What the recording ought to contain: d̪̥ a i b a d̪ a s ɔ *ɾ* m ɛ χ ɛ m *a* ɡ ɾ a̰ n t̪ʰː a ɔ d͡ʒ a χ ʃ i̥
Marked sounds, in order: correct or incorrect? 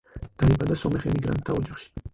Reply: incorrect, incorrect

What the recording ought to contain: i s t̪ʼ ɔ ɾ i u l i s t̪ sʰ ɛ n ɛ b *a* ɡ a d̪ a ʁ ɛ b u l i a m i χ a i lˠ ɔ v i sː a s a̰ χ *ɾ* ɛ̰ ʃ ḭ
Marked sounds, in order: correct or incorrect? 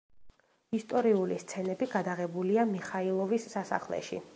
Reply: incorrect, incorrect

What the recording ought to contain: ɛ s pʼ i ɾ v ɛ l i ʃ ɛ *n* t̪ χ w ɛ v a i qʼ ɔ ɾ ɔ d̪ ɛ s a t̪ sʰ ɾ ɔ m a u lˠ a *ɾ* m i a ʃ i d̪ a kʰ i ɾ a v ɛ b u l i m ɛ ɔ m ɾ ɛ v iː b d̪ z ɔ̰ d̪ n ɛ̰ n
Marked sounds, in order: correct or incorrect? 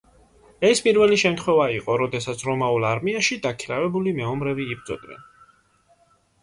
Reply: incorrect, correct

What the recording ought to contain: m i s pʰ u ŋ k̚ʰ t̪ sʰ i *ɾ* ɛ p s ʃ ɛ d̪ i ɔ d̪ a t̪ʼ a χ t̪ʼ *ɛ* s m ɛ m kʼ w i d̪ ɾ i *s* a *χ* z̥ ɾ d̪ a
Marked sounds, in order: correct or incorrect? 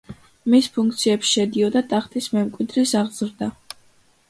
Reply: incorrect, incorrect, correct, incorrect

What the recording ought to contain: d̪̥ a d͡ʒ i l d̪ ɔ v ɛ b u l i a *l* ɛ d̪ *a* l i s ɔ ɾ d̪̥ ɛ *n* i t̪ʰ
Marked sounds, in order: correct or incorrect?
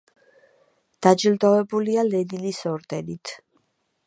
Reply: correct, incorrect, correct

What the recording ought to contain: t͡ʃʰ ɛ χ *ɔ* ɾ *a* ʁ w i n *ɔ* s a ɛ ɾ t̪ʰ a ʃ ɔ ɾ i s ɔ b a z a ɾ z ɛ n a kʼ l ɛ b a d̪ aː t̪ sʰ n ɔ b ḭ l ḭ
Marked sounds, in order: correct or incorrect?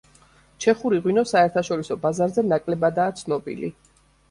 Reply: incorrect, incorrect, correct

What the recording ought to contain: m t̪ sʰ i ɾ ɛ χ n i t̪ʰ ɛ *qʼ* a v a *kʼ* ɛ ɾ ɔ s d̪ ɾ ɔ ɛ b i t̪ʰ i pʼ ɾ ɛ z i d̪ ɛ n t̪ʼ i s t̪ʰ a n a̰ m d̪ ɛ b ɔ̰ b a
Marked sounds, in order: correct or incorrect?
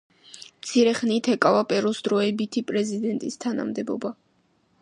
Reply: incorrect, incorrect

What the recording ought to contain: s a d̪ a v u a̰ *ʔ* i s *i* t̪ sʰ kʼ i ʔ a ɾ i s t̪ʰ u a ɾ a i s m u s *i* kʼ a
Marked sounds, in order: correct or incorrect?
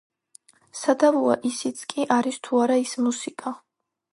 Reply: correct, correct, correct

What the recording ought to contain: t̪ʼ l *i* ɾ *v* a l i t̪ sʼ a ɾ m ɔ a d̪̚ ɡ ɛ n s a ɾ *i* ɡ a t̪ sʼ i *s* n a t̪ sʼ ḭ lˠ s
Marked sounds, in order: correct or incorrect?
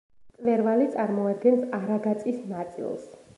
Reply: incorrect, correct, incorrect, correct

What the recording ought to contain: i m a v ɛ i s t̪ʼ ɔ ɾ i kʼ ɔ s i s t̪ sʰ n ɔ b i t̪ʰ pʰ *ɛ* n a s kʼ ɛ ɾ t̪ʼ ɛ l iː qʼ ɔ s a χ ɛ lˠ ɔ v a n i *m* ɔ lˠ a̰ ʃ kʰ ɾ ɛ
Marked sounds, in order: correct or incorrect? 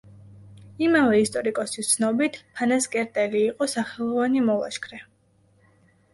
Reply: incorrect, correct

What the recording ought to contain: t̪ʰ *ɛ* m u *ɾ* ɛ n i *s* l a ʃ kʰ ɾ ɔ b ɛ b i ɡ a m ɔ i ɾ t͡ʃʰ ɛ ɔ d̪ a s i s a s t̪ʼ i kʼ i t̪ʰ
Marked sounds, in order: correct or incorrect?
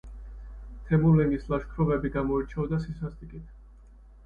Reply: correct, incorrect, correct

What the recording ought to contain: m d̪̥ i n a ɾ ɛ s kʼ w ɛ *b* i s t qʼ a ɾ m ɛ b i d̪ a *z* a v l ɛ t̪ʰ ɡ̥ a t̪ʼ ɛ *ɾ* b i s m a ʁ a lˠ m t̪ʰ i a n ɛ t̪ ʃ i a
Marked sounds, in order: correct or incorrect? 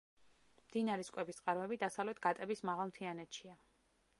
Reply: correct, incorrect, incorrect

